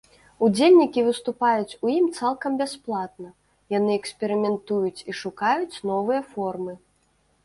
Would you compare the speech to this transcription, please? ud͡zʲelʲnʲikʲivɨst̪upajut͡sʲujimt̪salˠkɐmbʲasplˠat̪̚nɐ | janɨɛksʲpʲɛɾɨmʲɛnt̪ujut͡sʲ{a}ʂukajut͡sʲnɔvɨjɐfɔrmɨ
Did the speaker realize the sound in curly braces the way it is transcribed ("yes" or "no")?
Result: no